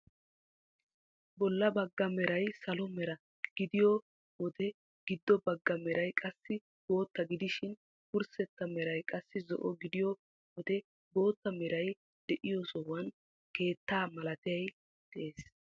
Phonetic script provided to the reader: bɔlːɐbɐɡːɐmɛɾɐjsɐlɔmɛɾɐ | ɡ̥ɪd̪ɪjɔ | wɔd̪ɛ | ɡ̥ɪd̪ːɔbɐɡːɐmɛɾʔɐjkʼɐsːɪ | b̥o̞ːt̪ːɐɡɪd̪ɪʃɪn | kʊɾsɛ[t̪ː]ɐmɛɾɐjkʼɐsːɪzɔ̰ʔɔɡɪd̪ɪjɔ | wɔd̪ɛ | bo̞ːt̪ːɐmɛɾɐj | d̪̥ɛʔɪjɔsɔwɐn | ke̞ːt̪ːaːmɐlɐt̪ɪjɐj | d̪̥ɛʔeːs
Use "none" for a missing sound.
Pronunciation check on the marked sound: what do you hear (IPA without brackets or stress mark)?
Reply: t̪ː